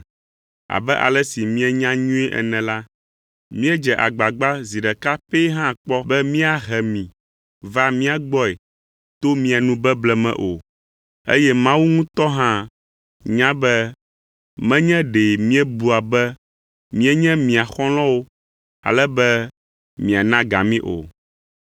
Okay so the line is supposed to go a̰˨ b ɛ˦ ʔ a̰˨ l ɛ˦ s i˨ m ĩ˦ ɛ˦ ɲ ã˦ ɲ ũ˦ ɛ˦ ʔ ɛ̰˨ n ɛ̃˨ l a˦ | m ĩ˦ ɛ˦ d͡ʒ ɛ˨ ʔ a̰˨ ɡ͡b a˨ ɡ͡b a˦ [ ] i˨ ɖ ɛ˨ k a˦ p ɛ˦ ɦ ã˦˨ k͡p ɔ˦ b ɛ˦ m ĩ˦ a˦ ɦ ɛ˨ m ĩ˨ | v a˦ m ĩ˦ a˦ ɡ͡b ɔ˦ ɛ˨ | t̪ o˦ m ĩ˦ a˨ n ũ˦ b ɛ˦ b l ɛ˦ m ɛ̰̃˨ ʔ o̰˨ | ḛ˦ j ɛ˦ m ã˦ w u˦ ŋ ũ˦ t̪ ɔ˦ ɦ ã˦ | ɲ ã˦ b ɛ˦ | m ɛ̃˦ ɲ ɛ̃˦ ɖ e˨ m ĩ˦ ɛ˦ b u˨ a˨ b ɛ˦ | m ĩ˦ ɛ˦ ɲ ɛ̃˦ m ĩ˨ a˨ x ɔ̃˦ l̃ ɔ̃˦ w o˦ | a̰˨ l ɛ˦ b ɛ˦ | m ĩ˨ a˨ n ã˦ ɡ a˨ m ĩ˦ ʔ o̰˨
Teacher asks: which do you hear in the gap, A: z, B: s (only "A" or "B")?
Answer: A